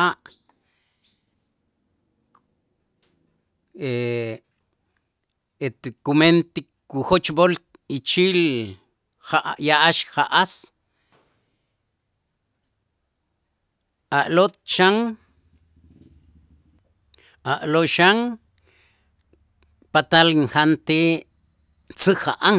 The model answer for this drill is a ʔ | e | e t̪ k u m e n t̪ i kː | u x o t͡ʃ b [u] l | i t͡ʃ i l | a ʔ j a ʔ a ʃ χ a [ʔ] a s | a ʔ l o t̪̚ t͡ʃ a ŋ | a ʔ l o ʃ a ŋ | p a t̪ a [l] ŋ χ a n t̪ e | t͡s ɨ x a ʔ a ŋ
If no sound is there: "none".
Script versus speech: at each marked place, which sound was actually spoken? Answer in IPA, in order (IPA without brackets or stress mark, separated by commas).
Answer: o, ʔ, l